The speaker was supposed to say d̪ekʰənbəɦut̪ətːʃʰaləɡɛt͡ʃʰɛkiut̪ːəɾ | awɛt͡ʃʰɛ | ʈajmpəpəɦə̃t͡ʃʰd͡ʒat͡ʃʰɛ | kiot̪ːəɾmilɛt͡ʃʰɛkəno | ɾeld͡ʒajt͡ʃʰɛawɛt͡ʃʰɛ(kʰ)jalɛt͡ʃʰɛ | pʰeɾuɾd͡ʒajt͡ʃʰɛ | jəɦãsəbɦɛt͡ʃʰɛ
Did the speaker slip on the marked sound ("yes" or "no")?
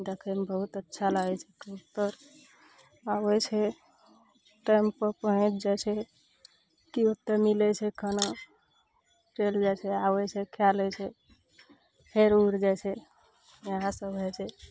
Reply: no